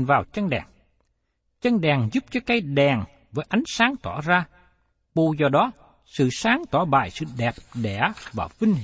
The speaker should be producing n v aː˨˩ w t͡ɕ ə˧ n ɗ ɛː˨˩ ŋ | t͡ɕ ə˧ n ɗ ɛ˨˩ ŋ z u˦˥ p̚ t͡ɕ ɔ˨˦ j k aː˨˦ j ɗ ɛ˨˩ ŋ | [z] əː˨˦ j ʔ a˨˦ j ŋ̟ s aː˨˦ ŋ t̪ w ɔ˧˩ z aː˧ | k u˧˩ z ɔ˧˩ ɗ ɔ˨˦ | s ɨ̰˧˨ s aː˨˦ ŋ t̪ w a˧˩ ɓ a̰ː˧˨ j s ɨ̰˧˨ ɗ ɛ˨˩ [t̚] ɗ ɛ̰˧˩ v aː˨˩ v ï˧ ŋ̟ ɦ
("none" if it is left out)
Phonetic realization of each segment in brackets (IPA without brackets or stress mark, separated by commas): v, p̚